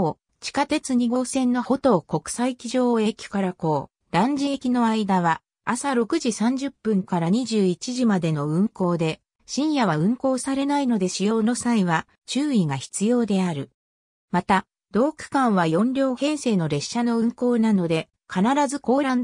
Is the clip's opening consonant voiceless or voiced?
voiceless